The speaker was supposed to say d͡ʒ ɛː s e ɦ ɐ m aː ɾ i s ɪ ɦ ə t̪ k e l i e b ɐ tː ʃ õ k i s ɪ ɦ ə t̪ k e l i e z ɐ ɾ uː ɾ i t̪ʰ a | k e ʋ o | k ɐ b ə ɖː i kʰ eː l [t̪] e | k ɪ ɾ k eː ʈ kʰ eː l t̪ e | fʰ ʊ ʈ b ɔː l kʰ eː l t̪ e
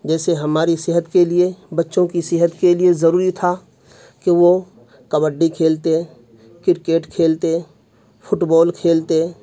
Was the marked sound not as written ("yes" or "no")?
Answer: no